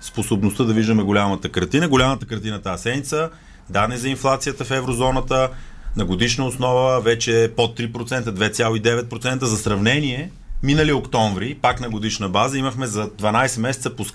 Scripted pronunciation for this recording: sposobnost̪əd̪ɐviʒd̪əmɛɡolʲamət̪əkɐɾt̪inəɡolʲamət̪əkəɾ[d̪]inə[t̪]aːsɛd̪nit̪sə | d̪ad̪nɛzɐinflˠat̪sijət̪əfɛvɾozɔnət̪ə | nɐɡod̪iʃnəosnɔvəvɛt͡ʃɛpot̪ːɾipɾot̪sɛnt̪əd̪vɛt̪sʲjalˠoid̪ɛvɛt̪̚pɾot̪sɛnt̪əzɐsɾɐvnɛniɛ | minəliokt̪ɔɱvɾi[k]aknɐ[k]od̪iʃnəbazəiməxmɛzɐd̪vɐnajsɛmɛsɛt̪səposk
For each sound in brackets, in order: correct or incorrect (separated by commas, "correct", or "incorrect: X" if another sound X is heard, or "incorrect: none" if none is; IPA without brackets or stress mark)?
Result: incorrect: t̪, correct, incorrect: p, incorrect: ɡ